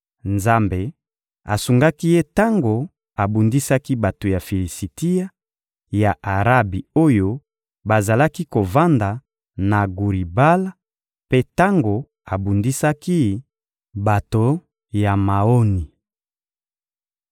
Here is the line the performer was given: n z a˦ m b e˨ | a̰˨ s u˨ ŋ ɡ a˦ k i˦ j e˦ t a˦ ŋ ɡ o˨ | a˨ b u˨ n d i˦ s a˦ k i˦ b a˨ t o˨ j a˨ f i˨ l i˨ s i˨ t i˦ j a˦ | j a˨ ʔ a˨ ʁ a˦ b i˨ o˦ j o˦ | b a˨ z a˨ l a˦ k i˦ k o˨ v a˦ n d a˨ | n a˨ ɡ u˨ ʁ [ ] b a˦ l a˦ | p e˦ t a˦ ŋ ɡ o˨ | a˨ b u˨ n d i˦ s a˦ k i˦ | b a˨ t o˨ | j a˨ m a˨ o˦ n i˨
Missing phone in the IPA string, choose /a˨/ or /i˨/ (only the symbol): i˨